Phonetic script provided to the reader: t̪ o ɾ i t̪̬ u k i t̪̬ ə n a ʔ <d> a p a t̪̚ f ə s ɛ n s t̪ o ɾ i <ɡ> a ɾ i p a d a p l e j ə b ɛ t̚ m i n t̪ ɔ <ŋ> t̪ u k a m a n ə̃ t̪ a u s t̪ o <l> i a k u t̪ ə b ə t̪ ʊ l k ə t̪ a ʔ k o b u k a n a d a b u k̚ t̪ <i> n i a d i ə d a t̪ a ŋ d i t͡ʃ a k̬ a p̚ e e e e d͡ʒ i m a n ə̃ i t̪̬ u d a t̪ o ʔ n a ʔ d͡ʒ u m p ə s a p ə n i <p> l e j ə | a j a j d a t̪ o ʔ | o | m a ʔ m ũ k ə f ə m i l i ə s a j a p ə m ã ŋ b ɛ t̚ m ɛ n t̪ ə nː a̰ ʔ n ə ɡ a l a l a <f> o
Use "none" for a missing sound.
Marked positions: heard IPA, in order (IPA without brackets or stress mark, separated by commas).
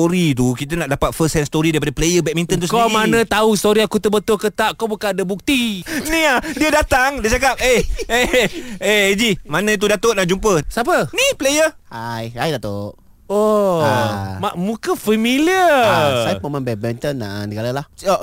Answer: d, d, n, ɾ, i, p, h